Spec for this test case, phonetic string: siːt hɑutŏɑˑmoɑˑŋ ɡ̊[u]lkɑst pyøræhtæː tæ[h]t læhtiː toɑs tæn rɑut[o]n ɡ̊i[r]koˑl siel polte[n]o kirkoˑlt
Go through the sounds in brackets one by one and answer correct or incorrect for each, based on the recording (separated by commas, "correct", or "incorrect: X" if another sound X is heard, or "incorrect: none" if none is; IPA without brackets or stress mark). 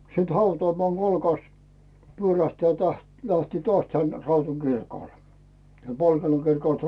incorrect: o, correct, incorrect: u, correct, correct